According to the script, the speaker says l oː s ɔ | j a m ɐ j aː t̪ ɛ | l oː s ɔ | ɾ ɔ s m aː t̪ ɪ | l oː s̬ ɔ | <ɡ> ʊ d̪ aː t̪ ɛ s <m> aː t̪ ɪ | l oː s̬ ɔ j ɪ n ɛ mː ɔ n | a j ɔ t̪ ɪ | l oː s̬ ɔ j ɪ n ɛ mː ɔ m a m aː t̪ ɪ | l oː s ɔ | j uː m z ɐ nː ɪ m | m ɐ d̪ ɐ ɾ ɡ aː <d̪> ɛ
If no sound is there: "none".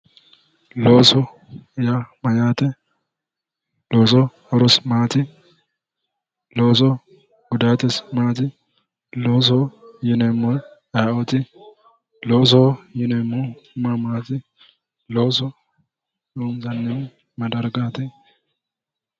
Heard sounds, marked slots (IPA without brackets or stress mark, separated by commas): ɡ, m, t̪